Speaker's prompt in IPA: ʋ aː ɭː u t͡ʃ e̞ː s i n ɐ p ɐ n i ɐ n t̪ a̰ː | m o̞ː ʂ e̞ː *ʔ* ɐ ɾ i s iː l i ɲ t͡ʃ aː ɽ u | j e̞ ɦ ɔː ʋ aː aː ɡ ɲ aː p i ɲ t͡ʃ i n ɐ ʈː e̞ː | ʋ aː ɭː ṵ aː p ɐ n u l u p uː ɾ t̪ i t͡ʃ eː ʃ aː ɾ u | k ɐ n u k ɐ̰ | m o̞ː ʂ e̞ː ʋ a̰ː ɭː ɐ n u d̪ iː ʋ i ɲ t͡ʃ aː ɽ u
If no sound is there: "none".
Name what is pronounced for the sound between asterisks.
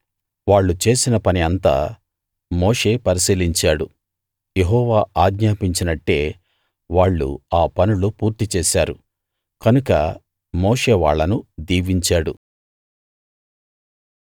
p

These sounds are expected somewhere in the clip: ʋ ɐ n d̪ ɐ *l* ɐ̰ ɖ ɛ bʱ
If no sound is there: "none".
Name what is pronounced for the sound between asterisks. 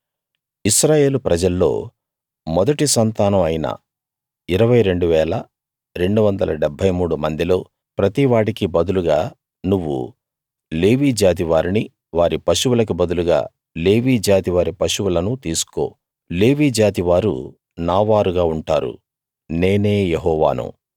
l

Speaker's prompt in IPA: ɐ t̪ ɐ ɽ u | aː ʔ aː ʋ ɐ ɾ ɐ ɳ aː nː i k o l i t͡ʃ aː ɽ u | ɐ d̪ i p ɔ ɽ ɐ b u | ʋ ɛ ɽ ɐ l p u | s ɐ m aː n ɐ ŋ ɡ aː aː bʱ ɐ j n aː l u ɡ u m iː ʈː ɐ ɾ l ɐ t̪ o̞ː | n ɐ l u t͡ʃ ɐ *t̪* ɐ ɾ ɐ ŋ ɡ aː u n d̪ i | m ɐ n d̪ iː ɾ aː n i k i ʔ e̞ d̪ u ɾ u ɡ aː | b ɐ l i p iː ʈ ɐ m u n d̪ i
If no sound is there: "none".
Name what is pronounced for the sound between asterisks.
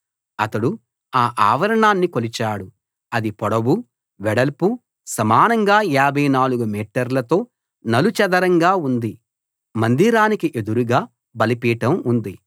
d̪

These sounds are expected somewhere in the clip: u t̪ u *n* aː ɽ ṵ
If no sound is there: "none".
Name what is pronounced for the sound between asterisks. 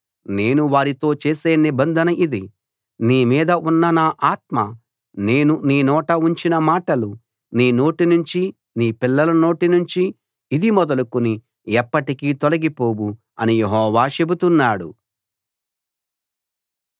nː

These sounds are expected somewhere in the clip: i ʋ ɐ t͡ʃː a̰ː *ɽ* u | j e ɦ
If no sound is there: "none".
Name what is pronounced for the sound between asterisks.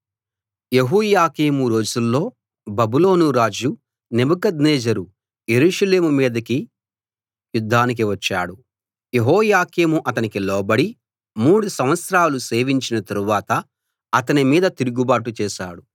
ɽ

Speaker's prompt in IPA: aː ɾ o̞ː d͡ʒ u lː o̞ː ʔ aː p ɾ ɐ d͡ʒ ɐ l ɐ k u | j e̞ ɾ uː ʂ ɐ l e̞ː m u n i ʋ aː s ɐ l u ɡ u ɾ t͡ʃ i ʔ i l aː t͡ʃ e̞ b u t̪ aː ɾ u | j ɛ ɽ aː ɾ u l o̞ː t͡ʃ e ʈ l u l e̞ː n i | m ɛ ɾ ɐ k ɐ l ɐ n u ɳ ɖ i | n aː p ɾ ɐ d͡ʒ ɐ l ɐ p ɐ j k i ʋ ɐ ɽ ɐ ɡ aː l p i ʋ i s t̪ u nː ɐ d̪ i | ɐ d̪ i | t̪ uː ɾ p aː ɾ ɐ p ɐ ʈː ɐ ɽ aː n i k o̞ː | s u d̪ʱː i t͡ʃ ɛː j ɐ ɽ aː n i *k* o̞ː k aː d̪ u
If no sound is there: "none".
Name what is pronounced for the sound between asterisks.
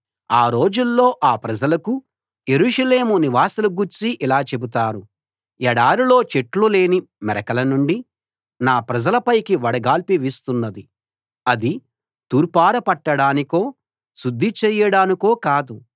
k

